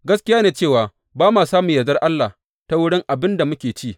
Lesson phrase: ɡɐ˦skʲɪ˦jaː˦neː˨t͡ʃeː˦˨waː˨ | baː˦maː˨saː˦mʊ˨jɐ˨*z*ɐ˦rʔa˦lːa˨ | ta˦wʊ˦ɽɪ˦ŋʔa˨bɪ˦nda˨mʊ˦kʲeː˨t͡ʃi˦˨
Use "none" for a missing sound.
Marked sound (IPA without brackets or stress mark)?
z